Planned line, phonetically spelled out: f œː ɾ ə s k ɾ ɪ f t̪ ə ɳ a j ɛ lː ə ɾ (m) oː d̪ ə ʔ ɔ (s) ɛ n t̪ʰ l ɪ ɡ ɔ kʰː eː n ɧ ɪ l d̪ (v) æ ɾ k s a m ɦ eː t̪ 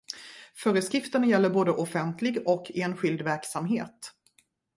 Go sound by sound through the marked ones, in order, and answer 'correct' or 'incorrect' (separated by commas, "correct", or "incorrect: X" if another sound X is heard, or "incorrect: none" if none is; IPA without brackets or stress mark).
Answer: incorrect: b, incorrect: f, correct